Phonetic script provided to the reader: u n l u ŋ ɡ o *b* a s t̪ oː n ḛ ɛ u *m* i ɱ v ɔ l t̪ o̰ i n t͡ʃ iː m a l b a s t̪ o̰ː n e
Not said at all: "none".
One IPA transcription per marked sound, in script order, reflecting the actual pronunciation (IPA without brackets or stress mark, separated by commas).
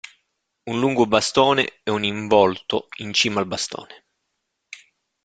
b, n